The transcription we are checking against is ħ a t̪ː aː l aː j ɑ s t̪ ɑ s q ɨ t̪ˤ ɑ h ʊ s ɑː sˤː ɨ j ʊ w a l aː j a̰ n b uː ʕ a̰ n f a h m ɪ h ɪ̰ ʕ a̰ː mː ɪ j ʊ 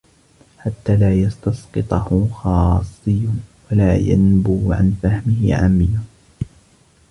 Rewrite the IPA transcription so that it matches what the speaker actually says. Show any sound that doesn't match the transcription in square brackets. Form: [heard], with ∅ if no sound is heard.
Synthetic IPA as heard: ħ a t̪ː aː l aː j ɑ s t̪ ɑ s q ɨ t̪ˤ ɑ h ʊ [x] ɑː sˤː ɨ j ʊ w a l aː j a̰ n b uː ʕ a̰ n f a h m ɪ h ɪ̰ ʕ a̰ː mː ɪ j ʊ